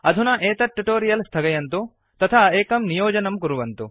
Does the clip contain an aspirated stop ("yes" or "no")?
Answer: yes